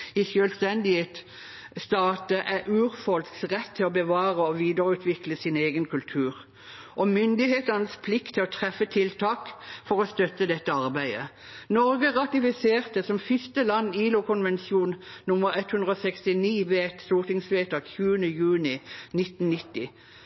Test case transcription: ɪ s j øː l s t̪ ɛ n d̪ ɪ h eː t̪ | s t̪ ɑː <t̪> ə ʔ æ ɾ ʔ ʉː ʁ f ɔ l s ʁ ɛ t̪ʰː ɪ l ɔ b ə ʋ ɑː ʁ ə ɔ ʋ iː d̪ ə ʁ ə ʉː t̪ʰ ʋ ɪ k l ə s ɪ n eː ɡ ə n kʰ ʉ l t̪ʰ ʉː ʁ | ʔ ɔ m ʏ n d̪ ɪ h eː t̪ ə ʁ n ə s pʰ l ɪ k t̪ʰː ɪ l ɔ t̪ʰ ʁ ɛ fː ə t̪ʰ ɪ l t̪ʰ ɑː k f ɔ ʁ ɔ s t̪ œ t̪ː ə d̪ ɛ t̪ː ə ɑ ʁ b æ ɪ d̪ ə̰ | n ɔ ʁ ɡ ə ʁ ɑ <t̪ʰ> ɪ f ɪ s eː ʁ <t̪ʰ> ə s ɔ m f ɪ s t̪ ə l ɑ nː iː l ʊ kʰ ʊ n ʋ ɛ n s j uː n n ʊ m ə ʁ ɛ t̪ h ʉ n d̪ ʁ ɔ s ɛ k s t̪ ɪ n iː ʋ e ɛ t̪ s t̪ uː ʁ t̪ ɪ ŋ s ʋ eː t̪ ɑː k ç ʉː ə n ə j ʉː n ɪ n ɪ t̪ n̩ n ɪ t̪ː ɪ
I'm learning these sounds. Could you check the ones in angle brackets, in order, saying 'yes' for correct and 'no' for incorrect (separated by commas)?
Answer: yes, no, no